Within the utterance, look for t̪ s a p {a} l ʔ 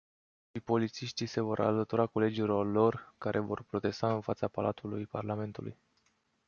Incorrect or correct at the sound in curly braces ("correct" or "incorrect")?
correct